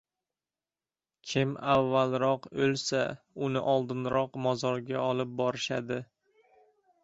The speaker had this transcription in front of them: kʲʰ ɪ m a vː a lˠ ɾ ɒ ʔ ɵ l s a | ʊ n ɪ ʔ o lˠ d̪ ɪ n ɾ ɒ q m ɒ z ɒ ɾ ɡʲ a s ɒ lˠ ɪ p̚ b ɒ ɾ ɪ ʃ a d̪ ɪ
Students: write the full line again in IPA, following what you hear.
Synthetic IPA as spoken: kʲʰ ɪ m a vː a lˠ ɾ ɒ q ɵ l s a | ʊ n ɪ ʔ ɒ lˠ d̪ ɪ n ɾ ɒ q m ɒ z ɒ ɾ ɡʲ a ɒ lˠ ɪ p̚ b ɒ ɾ ɪ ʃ a d̪ ɪ